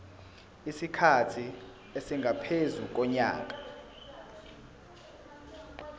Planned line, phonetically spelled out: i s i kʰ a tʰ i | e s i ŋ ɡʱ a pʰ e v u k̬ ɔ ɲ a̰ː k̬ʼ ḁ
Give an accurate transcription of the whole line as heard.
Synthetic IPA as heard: i s i kʰ a tʰ i | e s i ŋ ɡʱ a pʰ e z u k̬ ɔ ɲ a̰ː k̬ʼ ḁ